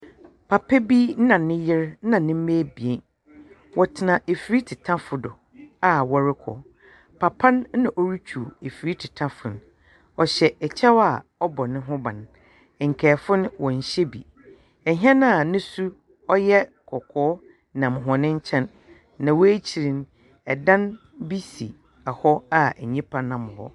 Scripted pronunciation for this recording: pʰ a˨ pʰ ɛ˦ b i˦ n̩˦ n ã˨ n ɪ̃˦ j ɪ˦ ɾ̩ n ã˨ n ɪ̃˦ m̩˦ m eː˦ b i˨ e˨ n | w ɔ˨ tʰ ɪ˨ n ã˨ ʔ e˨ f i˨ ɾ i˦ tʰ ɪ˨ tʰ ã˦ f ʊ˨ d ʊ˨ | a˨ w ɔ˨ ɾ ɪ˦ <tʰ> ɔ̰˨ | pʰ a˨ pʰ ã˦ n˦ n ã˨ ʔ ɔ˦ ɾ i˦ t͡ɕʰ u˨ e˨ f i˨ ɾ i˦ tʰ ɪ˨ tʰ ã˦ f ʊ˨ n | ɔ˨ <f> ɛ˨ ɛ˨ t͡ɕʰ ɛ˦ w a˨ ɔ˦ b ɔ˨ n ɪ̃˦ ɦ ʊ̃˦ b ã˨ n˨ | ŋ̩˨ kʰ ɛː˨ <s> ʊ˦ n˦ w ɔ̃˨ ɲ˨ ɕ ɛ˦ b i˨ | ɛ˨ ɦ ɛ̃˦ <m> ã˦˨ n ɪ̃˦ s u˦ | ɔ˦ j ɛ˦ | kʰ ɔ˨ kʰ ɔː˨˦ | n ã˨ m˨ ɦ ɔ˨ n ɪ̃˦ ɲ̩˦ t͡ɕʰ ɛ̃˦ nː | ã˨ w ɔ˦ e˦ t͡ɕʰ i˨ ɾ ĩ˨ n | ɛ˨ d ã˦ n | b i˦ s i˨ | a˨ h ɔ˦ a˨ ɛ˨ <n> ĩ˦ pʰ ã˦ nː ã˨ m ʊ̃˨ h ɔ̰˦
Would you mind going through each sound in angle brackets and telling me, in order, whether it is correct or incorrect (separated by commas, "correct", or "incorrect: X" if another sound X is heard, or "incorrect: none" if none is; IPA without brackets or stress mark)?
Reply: incorrect: kʰ, incorrect: ɕ, incorrect: f, incorrect: n, incorrect: ɲ